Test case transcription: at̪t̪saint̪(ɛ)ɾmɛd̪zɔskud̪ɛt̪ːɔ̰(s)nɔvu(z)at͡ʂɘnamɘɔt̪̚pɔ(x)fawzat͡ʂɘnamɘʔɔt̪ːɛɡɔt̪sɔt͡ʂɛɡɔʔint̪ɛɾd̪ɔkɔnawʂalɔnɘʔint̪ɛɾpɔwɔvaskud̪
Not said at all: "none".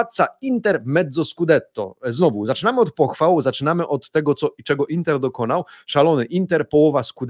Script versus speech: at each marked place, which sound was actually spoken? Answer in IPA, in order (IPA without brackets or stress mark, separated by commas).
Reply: ɛ, z, z, x